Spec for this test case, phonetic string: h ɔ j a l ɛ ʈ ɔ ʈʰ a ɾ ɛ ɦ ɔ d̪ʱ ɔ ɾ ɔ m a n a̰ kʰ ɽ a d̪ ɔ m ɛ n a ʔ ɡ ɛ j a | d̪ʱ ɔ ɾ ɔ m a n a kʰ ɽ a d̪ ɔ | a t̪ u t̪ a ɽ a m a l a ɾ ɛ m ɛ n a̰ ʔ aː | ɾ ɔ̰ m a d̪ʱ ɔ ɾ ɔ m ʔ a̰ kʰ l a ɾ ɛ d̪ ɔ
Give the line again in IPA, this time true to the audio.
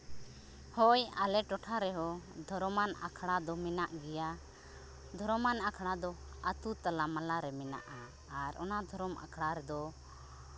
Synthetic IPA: h ɔ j a l ɛ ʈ ɔ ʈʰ a ɾ ɛ ɦ ɔ d̪ʱ ɔ ɾ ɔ m a n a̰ kʰ ɽ a d̪ ɔ m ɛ n a ʔ ɡ ɛ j a | d̪ʱ ɔ ɾ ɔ m a n a kʰ ɽ a d̪ ɔ | a t̪ u t̪ a l a m a l a ɾ ɛ m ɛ n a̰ ʔ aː | ɾ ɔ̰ n a d̪ʱ ɔ ɾ ɔ m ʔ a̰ kʰ ɽ a ɾ ɛ d̪ ɔ